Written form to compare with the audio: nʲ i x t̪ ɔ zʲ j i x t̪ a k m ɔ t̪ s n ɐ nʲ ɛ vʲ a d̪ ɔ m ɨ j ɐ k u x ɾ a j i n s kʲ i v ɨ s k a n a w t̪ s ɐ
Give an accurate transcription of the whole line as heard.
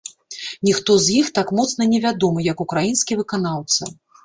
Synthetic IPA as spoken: nʲ i x t̪ ɔ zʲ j i x t̪ a k m ɔ t̪ s n ɐ nʲ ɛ vʲ a d̪ ɔ m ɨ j ɐ k u k ɾ a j i n s kʲ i v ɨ k a n a w t̪ s ɐ